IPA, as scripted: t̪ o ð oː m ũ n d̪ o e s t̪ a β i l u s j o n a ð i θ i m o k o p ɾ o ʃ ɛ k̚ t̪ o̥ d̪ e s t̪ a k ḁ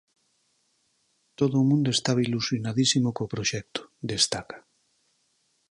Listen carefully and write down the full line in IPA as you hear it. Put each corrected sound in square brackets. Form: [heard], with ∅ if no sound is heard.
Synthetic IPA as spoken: t̪ o ð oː m ũ n d̪ o e s t̪ a β i l u s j o n a ð i [s] i m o k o p ɾ o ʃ ɛ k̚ t̪ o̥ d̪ e s t̪ a k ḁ